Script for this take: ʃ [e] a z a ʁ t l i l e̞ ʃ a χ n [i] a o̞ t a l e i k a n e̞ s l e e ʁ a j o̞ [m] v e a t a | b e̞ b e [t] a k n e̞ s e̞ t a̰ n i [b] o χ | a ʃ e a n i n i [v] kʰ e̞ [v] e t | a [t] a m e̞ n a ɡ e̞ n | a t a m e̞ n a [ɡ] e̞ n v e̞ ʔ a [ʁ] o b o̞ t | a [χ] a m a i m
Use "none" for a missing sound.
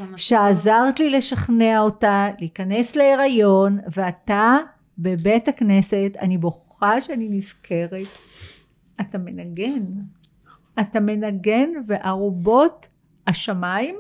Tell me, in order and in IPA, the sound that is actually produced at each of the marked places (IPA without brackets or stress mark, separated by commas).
e, e, n, t, b, z, ʁ, t, ɡ, ʁ, ʃ